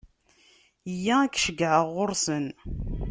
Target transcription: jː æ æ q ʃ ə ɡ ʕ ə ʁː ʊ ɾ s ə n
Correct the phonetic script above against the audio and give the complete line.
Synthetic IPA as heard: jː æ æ k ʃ ə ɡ ʕ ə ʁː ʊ ɾ s ə n